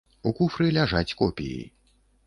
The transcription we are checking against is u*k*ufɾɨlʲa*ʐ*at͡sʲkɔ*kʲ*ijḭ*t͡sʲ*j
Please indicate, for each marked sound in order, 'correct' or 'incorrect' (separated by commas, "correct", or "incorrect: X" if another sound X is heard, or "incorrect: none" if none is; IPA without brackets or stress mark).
correct, correct, incorrect: pʲ, incorrect: none